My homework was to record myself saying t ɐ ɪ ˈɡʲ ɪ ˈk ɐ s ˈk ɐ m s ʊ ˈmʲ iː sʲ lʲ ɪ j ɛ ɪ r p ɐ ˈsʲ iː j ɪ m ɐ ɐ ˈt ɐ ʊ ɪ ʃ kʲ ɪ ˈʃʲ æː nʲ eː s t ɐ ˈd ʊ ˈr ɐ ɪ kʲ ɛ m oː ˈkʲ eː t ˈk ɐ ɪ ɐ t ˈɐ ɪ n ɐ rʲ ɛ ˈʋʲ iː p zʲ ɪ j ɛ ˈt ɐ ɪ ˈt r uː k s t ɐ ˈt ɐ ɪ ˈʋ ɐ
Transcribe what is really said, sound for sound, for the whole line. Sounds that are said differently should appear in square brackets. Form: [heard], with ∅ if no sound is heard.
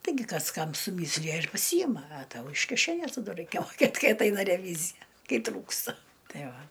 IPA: t ɐ ɪ ˈɡʲ ɪ ˈk ɐ s ˈk ɐ m s ʊ ˈmʲ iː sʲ lʲ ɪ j ɛ ɪ r p ɐ ˈsʲ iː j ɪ m ɐ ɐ ˈt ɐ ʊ ɪ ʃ kʲ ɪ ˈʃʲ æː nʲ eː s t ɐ ˈd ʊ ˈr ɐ ɪ kʲ ɛ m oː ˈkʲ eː t ˈk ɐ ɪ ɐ t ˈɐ ɪ n ɐ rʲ ɛ ˈʋʲ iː [∅] zʲ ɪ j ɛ [ˈk] ɐ ɪ ˈt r uː k s t ɐ ˈt ɐ ɪ ˈʋ ɐ